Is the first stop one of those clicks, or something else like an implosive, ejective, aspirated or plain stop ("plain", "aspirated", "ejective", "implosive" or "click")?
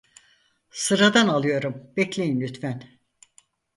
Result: plain